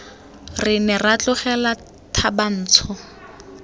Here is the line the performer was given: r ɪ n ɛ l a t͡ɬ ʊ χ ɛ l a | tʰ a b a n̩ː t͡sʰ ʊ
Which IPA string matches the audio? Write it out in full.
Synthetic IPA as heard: r ɪ n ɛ r a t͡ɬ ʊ χ ɛ l a | tʰ a b a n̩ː t͡sʰ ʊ